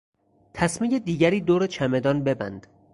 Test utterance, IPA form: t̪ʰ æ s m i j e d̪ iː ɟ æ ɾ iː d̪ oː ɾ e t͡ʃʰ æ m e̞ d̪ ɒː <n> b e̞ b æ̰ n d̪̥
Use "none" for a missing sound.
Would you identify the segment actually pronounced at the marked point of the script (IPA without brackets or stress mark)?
n